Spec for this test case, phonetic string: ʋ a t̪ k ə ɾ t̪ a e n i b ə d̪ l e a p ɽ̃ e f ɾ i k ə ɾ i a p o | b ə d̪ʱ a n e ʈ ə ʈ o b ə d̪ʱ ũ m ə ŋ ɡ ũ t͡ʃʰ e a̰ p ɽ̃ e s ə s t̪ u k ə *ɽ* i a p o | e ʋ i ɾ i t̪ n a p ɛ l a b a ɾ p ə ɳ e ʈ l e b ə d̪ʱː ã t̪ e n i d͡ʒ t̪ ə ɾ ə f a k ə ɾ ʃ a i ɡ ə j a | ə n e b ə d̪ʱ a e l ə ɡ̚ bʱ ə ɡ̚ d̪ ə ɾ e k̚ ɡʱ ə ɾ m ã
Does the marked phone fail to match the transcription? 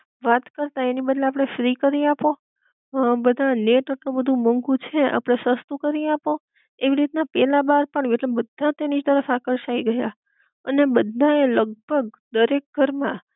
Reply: yes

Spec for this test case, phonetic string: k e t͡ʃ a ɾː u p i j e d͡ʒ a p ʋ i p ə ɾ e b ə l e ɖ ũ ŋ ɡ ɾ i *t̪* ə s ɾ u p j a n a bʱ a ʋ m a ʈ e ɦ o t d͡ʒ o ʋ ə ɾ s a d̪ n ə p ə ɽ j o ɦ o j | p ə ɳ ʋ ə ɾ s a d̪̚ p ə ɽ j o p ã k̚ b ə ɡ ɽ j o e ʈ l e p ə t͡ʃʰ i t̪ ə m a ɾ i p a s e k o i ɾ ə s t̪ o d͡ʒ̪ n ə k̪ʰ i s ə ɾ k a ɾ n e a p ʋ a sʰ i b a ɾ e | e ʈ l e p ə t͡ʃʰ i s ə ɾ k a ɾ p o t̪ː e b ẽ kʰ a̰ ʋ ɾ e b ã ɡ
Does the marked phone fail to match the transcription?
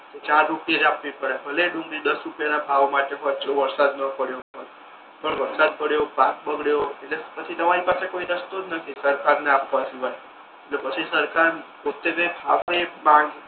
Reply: yes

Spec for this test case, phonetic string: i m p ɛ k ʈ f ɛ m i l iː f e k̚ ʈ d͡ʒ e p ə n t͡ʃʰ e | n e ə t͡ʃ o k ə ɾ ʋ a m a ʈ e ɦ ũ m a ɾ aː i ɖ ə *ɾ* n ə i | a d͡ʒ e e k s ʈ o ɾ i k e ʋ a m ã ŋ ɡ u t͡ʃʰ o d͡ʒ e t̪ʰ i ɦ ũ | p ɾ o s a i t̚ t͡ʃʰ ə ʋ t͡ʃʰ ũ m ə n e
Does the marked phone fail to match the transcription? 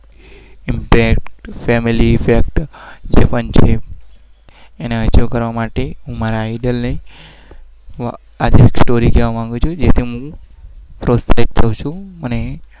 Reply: yes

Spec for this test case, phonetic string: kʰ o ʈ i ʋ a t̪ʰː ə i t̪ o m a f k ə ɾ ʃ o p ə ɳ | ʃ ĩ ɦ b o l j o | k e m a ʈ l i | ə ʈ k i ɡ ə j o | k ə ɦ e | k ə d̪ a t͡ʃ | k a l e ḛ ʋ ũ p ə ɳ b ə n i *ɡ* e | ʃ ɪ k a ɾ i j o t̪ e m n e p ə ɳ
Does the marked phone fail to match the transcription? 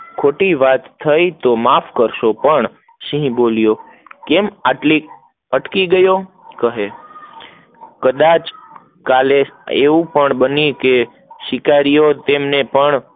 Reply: yes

